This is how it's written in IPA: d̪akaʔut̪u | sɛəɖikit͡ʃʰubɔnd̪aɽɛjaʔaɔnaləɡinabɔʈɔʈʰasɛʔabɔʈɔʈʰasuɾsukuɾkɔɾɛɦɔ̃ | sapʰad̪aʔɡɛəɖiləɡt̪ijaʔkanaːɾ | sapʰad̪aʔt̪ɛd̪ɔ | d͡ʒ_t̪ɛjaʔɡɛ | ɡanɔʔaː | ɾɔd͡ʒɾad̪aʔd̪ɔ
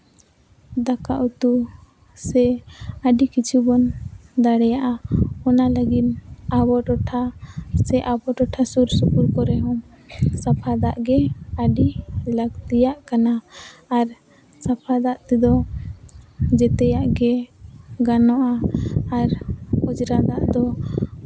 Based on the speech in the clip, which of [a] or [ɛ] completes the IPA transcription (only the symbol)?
ɛ